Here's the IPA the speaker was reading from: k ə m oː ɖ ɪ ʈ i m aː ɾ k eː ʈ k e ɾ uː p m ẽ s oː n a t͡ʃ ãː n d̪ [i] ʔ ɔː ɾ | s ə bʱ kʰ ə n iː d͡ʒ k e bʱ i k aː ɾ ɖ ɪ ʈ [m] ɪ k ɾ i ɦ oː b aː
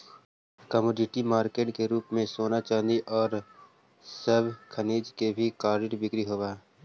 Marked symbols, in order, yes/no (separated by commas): yes, no